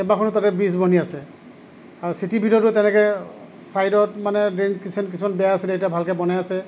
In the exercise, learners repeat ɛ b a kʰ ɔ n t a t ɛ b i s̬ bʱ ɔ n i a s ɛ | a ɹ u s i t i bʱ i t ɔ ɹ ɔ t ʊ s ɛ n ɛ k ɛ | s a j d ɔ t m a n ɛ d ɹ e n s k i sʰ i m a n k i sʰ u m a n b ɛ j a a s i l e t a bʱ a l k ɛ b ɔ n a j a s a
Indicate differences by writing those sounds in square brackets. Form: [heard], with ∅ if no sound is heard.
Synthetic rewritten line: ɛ b a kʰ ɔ n t a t ɛ b i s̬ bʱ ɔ n i a s ɛ | a ɹ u s i t i bʱ i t ɔ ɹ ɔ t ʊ [t] ɛ n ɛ k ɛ | s a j d ɔ t m a n ɛ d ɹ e n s k i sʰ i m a n k i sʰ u m a n b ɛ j a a s i l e t a bʱ a l k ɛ b ɔ n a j a s [ɛ]